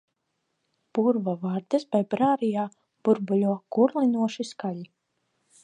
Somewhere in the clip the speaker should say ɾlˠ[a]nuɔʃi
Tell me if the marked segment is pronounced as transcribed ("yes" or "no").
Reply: no